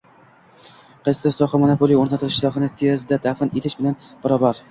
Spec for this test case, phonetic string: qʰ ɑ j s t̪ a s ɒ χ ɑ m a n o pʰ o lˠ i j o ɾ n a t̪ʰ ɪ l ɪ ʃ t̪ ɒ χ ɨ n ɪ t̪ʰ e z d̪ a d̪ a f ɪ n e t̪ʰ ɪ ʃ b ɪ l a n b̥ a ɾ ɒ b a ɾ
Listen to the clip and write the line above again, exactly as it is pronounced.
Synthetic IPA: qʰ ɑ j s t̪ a s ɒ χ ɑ m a n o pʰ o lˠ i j o ɾ n a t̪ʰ ɪ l ɪ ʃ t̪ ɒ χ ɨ n ɪ t̪ʰ e z d̪ a d̪ a f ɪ n e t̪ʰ ɪ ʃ b ɪ l a n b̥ a ɾ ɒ b a ɾ